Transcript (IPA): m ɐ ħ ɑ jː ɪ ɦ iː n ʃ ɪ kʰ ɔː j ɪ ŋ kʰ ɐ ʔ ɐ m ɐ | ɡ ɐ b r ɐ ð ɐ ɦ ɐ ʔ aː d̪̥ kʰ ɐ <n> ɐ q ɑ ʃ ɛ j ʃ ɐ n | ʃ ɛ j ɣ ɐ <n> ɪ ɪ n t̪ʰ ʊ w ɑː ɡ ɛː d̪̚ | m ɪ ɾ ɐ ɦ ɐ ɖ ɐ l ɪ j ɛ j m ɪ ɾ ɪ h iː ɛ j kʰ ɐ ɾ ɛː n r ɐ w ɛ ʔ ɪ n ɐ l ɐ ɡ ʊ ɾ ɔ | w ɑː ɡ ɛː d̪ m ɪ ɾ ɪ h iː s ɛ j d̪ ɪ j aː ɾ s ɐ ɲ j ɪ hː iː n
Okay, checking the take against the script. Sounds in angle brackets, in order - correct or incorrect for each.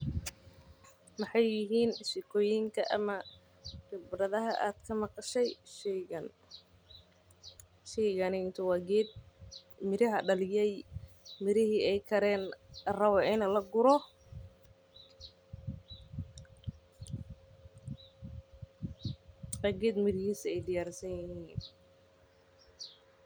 incorrect: m, correct

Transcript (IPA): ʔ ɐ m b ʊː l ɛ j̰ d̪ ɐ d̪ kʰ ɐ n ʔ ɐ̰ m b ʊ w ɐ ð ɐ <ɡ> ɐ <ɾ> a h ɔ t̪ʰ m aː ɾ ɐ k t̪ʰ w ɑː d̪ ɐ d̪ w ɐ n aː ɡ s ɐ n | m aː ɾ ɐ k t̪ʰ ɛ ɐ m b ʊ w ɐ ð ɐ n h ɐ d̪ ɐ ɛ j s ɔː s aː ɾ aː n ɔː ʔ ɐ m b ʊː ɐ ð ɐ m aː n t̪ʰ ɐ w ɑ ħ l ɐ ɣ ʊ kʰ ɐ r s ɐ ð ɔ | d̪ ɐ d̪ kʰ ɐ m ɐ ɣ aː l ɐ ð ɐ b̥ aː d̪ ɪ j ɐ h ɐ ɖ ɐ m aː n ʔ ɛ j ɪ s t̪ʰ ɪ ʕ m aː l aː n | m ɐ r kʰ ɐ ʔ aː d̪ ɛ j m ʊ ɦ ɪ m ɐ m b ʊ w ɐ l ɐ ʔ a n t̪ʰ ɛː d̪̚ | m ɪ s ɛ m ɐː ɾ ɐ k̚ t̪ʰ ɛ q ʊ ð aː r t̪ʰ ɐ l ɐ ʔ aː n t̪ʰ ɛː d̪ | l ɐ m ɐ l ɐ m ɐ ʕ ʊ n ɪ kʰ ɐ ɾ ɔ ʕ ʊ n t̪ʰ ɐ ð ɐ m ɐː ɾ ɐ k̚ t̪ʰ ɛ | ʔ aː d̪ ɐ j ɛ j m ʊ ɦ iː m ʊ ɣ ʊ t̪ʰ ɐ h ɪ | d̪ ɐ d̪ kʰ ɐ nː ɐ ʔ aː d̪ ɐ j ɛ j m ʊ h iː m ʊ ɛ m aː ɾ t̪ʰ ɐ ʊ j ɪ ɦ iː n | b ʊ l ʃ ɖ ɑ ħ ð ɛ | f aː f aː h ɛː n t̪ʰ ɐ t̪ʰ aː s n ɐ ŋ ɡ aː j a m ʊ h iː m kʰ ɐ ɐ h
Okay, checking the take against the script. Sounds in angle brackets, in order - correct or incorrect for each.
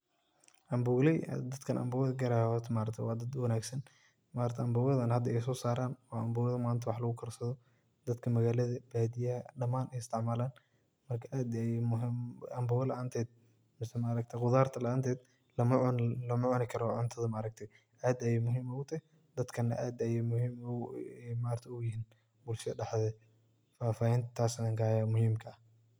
correct, correct

